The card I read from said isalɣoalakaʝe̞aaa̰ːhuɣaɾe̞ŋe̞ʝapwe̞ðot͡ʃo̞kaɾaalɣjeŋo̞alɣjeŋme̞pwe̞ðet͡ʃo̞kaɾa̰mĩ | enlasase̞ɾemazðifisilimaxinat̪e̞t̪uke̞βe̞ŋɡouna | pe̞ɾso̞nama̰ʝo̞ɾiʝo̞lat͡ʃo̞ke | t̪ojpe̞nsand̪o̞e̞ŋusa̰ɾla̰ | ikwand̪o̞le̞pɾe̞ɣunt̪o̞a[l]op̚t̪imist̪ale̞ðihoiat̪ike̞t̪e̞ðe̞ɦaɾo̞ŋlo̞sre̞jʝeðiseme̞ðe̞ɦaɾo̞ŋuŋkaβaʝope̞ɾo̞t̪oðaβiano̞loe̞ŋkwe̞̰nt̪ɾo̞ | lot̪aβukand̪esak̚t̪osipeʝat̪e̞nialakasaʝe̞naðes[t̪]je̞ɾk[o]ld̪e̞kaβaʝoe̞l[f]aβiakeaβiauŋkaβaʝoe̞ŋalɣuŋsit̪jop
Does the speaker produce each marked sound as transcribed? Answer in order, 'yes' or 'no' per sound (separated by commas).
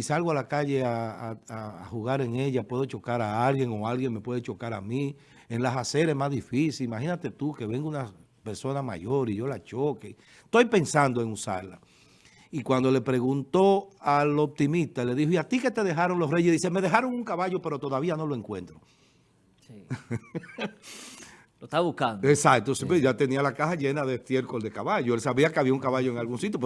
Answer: yes, yes, yes, no